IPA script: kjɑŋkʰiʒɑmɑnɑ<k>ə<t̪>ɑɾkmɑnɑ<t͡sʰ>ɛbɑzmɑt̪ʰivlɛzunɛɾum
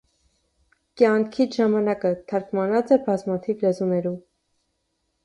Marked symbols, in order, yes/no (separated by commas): yes, no, no